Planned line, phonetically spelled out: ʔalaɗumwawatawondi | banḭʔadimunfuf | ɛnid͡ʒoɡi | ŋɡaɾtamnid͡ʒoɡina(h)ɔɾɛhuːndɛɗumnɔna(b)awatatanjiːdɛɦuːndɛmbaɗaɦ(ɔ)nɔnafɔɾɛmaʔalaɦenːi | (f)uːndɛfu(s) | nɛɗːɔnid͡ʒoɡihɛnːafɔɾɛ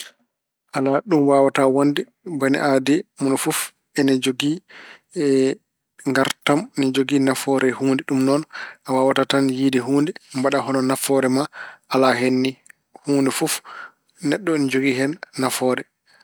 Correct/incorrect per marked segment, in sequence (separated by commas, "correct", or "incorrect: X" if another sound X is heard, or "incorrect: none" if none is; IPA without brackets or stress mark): incorrect: f, incorrect: w, correct, incorrect: h, incorrect: f